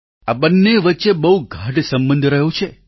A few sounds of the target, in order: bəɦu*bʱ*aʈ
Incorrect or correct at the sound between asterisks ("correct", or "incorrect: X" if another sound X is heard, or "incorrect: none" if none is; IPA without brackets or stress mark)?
incorrect: ɡʱ